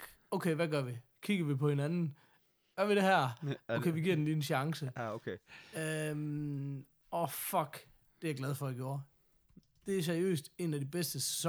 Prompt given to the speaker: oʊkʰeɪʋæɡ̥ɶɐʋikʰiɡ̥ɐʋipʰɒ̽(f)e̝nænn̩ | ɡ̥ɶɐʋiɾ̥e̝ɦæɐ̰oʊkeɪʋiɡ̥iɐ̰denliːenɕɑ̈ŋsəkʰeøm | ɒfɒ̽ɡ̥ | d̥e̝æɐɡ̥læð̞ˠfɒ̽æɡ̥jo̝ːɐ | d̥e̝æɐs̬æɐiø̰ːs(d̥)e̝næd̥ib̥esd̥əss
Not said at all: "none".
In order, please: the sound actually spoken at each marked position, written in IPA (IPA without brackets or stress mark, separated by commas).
h, d̥